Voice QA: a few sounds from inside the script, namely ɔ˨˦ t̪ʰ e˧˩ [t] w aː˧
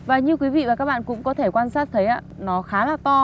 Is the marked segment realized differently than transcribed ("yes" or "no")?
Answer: yes